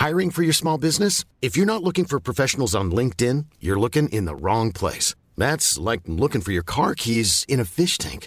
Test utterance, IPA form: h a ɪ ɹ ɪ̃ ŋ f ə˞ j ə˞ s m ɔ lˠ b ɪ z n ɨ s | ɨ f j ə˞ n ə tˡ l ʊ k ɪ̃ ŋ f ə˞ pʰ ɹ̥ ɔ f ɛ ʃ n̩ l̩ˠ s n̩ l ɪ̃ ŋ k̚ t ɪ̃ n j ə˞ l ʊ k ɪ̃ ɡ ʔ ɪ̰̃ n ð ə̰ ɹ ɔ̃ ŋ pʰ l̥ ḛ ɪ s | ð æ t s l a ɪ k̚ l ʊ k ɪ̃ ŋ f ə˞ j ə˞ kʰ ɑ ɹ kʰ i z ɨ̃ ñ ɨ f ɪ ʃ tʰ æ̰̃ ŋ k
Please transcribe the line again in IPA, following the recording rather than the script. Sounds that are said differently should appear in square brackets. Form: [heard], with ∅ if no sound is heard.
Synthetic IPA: h a ɪ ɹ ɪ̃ ŋ f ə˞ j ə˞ s m ɔ lˠ b ɪ z n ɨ s | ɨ f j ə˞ n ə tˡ l ʊ k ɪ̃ ŋ f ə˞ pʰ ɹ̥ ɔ f ɛ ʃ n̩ l̩ˠ [z] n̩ l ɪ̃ ŋ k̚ t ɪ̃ n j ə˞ l ʊ k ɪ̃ [ŋ] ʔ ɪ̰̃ n ð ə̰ ɹ ɔ̃ ŋ pʰ l̥ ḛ ɪ s | ð æ t s l a ɪ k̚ l ʊ k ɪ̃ ŋ f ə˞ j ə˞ kʰ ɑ ɹ kʰ i z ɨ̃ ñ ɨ f ɪ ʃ tʰ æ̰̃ ŋ k